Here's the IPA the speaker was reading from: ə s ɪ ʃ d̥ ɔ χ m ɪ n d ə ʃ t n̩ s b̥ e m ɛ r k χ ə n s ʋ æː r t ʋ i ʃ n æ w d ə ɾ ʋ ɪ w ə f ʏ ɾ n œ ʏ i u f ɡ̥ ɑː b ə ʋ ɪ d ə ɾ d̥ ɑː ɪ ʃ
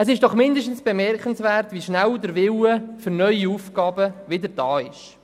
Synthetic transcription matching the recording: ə s ɪ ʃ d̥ ɔ χ m ɪ n d ə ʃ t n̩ s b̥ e m ɛ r k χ ə n s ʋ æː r t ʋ i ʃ n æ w d ə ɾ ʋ ɪ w ə f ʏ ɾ n œ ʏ i u f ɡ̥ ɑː b ə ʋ ɪ d ə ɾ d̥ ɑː ɪ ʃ